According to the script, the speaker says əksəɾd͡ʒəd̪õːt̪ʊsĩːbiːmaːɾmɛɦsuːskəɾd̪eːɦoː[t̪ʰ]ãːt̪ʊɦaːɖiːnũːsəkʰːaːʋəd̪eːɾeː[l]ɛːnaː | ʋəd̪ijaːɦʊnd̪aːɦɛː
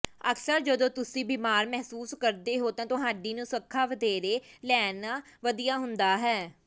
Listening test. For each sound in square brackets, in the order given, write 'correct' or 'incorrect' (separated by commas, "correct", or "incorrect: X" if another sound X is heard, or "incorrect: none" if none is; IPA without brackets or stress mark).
incorrect: t̪, correct